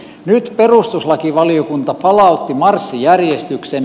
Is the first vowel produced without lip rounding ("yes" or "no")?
no